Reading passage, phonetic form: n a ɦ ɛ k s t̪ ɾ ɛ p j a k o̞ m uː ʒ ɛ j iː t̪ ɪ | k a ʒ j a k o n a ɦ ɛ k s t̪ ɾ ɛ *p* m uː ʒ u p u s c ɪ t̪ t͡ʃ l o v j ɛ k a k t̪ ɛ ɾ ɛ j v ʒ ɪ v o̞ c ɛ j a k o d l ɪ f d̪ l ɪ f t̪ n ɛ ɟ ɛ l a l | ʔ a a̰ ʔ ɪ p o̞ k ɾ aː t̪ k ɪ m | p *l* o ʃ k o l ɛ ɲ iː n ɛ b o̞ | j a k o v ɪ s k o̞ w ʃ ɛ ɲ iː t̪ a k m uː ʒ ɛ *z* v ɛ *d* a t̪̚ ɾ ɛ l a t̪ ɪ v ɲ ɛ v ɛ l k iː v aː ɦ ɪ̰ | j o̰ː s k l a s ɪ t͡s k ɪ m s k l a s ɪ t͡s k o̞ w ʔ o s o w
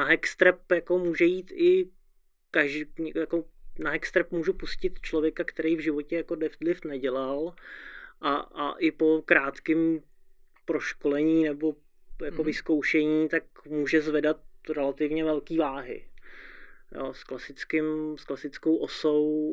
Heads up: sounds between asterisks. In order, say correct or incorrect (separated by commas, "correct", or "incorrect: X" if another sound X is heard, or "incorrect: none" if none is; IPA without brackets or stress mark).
correct, incorrect: ɾ, correct, correct